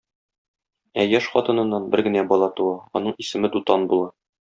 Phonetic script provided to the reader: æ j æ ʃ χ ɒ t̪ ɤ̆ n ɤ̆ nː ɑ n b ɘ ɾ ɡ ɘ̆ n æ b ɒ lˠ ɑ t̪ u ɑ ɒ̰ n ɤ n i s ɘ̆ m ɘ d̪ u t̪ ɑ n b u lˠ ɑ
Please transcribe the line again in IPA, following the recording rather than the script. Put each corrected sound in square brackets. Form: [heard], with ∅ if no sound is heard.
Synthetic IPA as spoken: æ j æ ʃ χ ɒ t̪ ɤ̆ n ɤ̆ nː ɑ n b ɘ ɾ ɡ ɘ̆ n æ b ɒ lˠ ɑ t̪ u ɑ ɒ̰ n ɤ [ɴ] i s ɘ̆ m ɘ d̪ u t̪ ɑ n b u lˠ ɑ